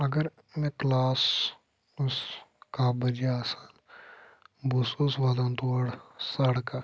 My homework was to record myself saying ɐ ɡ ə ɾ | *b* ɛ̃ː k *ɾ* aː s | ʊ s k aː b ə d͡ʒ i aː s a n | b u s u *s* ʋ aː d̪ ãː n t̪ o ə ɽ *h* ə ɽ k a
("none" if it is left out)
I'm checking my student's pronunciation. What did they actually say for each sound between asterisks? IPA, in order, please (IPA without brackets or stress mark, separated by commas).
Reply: m, l, s, s